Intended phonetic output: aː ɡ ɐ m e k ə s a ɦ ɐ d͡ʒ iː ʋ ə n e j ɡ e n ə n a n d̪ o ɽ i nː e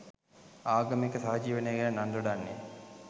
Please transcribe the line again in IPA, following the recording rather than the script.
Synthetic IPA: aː ɡ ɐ m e k ə s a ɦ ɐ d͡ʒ iː ʋ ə n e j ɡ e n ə n a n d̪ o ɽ a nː e